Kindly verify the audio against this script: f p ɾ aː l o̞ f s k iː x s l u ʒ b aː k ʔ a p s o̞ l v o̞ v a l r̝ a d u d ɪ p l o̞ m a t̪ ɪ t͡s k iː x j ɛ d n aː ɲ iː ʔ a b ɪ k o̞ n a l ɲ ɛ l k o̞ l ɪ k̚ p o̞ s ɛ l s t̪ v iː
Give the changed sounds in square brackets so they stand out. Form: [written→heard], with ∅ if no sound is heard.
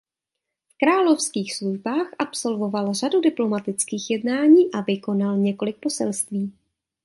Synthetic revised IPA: f [p→k] ɾ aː l o̞ f s k iː x s l u ʒ b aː [k→x] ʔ a p s o̞ l v o̞ v a l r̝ a d u d ɪ p l o̞ m a t̪ ɪ t͡s k iː x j ɛ d n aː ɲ iː ʔ a [b→v] ɪ k o̞ n a l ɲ ɛ [l→∅] k o̞ l ɪ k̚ p o̞ s ɛ l s t̪ v iː